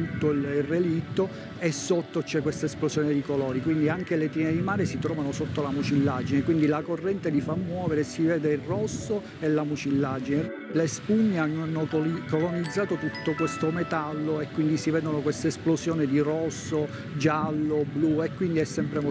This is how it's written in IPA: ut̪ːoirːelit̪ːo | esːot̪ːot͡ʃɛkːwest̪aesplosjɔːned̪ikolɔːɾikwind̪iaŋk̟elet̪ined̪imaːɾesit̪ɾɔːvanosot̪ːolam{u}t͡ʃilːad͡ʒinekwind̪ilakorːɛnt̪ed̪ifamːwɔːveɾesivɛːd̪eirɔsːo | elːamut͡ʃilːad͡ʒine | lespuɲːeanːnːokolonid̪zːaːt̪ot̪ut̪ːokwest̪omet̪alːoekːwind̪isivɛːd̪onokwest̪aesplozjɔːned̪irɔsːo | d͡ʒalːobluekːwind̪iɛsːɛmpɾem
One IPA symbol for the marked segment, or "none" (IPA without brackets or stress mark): u